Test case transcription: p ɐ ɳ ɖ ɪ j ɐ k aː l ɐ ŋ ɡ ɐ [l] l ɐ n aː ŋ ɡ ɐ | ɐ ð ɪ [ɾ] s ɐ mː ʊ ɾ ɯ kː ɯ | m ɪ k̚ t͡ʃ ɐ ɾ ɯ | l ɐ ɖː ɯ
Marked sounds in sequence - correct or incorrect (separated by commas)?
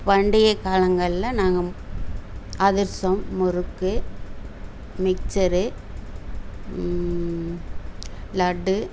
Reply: incorrect, correct